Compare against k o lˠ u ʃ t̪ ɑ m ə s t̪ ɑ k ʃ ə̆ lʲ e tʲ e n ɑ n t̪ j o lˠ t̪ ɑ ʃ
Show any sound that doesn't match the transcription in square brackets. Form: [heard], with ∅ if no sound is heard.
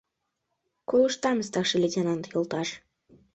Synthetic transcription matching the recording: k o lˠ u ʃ t̪ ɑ m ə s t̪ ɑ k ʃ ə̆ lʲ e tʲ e n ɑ n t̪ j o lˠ t̪ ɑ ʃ